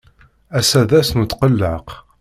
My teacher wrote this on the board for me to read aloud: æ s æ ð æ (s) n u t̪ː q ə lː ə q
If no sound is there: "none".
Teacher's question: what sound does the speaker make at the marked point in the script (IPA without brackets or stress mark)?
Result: s